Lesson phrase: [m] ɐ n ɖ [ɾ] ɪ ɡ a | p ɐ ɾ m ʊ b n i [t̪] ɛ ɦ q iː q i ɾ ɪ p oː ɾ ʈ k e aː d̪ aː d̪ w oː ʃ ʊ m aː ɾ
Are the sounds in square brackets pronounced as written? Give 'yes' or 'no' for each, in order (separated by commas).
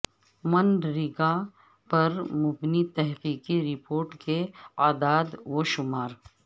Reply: yes, yes, yes